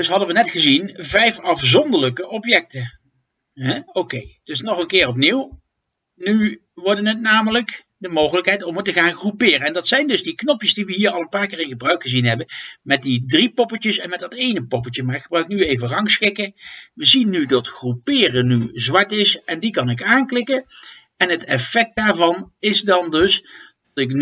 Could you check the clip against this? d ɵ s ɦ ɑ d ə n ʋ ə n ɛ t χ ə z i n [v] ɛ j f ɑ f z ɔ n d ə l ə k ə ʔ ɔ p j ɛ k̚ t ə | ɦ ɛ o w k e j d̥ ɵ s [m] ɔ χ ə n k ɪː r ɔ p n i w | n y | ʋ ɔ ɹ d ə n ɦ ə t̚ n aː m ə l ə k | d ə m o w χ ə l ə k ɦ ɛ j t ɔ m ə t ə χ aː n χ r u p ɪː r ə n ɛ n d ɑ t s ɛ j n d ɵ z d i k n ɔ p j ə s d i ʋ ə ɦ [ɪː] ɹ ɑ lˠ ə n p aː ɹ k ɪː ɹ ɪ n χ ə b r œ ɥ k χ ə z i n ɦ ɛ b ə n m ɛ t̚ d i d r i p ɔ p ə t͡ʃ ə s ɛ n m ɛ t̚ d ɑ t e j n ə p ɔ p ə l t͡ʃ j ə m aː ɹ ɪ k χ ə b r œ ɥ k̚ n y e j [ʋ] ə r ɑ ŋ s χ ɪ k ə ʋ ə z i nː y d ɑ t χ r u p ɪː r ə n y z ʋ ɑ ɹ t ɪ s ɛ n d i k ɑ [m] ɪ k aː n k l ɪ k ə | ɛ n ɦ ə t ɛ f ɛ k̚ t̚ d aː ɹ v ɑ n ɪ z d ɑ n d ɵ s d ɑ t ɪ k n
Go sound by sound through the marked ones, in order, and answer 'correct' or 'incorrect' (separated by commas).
correct, incorrect, incorrect, incorrect, incorrect